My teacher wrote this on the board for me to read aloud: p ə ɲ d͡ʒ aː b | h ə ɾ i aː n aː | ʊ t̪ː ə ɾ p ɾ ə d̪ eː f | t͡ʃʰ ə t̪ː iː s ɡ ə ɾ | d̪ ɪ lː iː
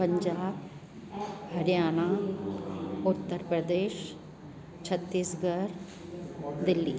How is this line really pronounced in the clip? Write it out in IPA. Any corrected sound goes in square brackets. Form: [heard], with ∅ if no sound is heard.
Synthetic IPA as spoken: p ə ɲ d͡ʒ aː b | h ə ɾ [j] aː n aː | ʊ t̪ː ə ɾ p ɾ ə d̪ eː [ʃ] | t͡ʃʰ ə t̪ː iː s ɡ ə ɾ | d̪ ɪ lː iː